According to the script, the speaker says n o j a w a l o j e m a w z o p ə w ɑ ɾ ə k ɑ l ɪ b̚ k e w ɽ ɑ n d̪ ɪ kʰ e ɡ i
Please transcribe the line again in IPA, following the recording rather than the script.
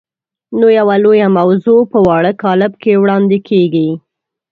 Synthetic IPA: n o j a w a l o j a m a w z o p ə w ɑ ɽ ə k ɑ l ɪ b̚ k e w ɽ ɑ n d̪ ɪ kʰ e ɡ i